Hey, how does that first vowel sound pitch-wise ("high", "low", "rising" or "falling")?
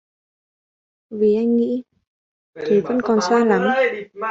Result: low